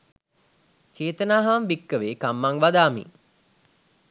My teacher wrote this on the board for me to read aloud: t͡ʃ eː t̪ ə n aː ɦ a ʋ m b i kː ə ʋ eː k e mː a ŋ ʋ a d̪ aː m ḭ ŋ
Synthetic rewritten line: t͡ʃ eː t̪ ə n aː ɦ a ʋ m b i kː ə ʋ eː k a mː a ŋ ʋ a d̪ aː m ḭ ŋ